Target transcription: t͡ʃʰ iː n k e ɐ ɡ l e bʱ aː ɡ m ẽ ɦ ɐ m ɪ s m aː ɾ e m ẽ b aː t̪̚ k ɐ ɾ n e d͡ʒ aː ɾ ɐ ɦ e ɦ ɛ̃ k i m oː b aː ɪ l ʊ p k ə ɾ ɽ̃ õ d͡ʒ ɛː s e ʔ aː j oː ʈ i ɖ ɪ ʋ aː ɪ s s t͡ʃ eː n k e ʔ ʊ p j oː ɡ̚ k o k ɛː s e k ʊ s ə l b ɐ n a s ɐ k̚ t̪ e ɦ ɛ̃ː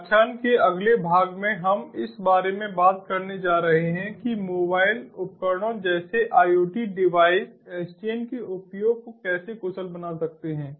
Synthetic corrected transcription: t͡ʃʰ aː n k e ɐ ɡ l e bʱ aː ɡ m ẽ ɦ ɐ m ɪ s b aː ɾ e m ẽ b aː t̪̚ k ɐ ɾ n e d͡ʒ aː ɾ ɐ ɦ e ɦ ɛ̃ k i m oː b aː ɪ l ʊ p k ə ɾ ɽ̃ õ d͡ʒ ɛː s e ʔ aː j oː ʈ i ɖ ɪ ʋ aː ɪ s s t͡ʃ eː n k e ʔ ʊ p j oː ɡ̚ k o k ɛː s e k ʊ s ə l b ɐ n a s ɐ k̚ t̪ e ɦ ɛ̃ː